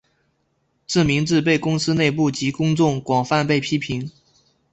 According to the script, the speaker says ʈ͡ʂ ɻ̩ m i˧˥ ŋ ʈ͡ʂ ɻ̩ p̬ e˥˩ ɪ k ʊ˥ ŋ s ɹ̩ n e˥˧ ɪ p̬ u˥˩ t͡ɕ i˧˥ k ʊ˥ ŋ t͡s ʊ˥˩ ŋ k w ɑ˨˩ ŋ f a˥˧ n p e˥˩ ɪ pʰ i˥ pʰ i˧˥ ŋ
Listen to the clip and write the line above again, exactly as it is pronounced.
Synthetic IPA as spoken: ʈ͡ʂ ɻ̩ m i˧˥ ŋ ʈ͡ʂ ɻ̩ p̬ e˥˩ ɪ k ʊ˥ ŋ s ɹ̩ n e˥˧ ɪ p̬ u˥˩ t͡ɕ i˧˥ k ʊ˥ ŋ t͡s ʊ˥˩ ŋ k w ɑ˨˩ ŋ f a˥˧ n p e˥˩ ɪ pʰ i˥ pʰ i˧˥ ŋ